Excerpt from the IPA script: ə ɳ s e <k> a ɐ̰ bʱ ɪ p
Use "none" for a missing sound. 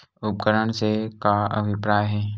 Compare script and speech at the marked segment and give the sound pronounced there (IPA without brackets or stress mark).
k